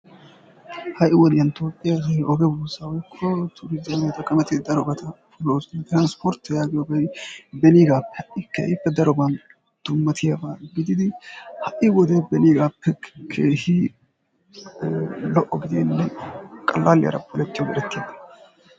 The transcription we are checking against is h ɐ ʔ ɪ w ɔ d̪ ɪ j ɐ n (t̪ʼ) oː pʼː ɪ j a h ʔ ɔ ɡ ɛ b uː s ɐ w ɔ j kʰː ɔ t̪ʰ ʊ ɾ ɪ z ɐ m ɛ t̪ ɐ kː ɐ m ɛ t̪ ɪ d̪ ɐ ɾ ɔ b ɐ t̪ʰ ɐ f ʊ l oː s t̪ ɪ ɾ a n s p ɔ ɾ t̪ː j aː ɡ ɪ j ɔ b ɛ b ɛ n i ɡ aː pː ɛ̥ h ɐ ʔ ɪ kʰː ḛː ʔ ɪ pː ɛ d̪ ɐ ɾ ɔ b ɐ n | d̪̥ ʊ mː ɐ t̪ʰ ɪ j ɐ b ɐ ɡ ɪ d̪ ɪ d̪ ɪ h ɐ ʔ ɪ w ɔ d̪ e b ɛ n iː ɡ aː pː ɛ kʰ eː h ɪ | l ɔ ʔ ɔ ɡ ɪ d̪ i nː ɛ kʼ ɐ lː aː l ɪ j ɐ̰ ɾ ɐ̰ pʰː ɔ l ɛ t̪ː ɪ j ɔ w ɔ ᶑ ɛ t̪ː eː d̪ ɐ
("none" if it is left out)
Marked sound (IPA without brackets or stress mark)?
t̪